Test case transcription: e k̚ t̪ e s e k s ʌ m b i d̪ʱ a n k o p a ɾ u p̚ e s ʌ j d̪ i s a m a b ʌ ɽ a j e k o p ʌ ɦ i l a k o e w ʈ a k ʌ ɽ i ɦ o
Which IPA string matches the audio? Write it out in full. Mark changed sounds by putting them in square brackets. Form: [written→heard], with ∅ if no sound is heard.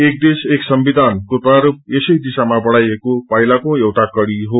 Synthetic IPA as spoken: e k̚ [t̪→d̪] e s e k s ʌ m b i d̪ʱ a n k o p a ɾ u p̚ e s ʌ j d̪ i s a m a b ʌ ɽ a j e k o p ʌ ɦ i l a k o e w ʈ a k ʌ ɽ i ɦ o

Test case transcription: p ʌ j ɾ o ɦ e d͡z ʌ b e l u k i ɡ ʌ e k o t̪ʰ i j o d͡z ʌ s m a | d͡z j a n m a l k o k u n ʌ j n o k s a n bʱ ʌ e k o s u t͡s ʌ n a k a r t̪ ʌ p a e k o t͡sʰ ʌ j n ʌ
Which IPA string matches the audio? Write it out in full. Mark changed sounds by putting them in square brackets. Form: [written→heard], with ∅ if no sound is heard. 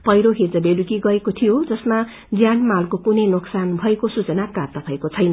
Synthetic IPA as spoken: p ʌ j ɾ o ɦ e d͡z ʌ b e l u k i ɡ ʌ e k o t̪ʰ i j o d͡z ʌ s m a | d͡z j a n m a l k o k u n ʌ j n o k s a n bʱ ʌ e k o s u t͡s ʌ n a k a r t̪ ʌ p a e k o t͡sʰ ʌ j n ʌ

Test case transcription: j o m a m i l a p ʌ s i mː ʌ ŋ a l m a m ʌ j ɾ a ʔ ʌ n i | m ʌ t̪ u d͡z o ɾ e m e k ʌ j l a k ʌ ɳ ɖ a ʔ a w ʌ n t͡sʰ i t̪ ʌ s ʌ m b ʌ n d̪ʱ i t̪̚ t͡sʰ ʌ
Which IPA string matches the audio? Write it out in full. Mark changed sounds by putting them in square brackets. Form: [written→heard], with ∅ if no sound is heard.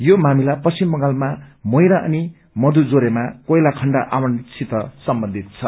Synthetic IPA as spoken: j o m a m i l a p ʌ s i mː ʌ ŋ a l m a m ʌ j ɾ a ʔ ʌ n i | m ʌ [t̪→d̪] u d͡z o ɾ e m [e→a] k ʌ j l a [k→kʰ] ʌ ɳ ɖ a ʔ a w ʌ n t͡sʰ i t̪ ʌ s ʌ m b ʌ n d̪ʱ i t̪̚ t͡sʰ ʌ

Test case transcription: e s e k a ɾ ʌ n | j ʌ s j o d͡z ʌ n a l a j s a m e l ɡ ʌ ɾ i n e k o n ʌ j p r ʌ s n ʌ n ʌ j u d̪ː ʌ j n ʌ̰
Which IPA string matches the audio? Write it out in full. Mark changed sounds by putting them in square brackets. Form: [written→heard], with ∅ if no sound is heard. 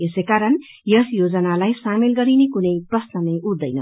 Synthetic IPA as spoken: e s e k a ɾ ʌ n | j ʌ s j o d͡z ʌ n a l a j s a m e l ɡ ʌ ɾ i n e k [o→u] n ʌ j p r ʌ s n ʌ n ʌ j u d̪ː ʌ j n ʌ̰

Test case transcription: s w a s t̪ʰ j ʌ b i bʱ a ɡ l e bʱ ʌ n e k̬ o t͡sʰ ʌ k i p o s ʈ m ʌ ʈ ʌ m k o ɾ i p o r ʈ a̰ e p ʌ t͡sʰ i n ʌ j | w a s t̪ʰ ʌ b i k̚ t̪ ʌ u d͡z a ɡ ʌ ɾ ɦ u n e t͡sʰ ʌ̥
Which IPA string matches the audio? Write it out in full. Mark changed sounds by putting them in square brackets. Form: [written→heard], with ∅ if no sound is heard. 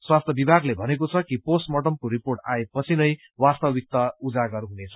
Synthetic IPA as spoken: s w a s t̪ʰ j ʌ b i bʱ a ɡ l e bʱ ʌ n e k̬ o t͡sʰ ʌ k i p o s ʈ m ʌ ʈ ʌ m k o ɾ i p o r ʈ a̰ e p ʌ t͡sʰ i n ʌ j | w a s [t̪ʰ→t̪] ʌ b i k̚ t̪ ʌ u d͡z a ɡ ʌ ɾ ɦ u n e t͡sʰ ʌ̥

